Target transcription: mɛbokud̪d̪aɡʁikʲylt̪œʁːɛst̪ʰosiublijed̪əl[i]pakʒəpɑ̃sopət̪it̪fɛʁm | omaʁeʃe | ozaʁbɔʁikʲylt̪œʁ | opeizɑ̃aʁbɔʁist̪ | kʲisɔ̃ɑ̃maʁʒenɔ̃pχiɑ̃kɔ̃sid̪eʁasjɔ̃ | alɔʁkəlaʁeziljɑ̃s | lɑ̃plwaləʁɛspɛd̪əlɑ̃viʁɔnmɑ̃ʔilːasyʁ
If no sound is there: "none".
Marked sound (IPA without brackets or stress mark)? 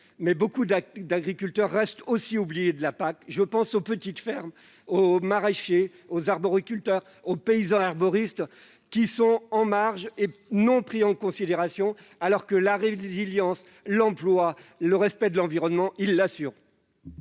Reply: a